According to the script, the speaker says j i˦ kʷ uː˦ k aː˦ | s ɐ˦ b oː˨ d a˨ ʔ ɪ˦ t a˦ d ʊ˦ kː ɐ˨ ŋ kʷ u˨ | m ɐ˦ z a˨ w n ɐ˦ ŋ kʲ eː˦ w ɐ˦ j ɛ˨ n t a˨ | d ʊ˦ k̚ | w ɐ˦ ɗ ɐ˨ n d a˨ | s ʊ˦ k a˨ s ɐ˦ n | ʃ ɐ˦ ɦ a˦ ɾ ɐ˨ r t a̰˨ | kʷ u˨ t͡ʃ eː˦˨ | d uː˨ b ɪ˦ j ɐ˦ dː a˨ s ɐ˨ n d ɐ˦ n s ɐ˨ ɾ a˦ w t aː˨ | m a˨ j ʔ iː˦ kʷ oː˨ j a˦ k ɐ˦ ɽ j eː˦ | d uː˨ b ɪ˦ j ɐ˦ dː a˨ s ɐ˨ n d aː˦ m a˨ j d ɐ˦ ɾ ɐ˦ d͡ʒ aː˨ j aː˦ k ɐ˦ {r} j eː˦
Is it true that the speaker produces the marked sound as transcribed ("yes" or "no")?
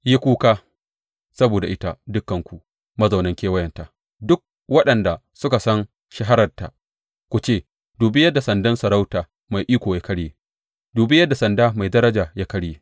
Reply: no